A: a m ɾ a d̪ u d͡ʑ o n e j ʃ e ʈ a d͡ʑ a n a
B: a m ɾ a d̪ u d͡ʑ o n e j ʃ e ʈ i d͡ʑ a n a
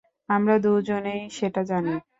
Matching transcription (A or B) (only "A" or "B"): A